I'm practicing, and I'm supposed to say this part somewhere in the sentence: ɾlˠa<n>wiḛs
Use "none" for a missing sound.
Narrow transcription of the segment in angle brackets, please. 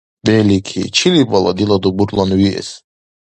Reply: n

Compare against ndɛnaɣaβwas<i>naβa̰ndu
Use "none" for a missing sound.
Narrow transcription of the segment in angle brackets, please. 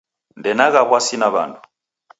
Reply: i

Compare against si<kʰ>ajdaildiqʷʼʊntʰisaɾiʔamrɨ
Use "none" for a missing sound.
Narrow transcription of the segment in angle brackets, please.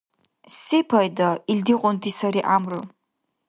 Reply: pʰ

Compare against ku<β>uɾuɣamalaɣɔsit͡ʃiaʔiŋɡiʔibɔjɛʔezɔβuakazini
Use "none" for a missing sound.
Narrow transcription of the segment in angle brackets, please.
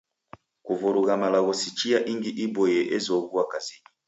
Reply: v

